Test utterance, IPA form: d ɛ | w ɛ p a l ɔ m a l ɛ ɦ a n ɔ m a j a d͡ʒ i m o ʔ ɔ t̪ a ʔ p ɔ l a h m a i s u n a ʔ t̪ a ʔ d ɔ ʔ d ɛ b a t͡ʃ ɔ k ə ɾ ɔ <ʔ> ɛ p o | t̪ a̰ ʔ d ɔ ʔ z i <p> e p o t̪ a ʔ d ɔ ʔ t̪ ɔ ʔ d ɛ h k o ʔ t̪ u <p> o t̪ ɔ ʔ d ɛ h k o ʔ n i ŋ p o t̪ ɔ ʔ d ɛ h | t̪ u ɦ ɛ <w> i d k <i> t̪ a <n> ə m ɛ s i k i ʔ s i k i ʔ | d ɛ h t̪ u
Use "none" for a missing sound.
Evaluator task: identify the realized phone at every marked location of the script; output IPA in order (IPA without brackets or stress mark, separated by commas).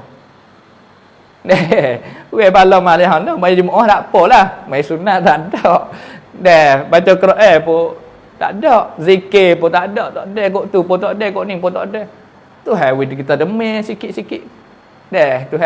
ʔ, k, p, w, i, d